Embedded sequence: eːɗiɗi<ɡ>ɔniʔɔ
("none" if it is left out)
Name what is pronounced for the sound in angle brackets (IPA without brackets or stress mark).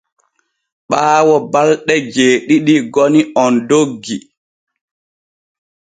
ɡ